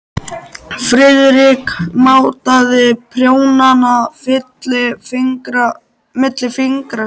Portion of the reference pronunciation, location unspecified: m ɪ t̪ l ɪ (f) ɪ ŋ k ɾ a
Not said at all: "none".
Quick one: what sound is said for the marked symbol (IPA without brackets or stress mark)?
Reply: f